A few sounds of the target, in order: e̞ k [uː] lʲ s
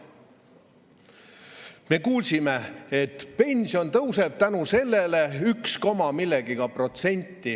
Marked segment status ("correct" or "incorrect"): correct